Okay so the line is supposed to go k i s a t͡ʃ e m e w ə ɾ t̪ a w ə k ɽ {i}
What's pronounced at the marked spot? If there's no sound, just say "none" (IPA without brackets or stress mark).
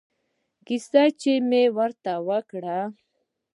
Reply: a